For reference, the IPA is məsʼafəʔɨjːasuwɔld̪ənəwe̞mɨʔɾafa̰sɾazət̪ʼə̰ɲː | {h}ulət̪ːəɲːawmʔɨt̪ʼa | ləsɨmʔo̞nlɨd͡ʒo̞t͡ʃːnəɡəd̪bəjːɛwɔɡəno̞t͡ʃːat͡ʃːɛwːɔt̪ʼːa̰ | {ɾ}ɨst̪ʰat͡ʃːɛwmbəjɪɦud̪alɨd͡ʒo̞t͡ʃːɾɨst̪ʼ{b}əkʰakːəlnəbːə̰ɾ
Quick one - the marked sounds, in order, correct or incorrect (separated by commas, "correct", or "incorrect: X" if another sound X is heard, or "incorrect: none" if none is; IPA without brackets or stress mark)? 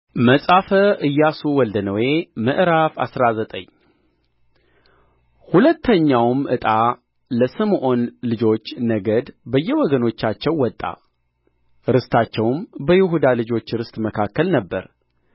correct, correct, incorrect: m